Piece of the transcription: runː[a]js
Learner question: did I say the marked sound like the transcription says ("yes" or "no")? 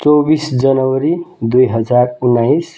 yes